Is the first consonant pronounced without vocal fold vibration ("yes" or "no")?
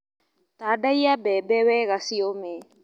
yes